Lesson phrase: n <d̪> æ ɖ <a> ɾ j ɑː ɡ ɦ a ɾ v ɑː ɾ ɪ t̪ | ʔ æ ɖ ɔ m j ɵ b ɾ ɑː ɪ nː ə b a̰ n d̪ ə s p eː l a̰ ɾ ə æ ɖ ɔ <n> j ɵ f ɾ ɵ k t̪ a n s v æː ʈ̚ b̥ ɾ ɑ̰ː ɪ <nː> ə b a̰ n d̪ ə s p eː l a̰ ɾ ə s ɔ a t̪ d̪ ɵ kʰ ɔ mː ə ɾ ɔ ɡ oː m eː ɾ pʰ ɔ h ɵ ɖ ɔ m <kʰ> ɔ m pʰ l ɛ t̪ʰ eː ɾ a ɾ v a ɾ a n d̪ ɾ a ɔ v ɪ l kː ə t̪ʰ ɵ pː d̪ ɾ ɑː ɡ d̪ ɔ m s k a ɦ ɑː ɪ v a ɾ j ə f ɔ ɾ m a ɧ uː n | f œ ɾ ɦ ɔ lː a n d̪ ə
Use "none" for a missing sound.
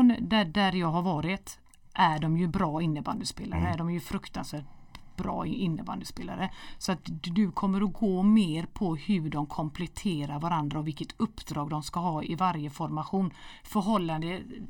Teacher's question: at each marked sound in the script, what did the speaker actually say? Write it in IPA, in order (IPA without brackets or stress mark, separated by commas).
d̪, æ, m, nː, kʰ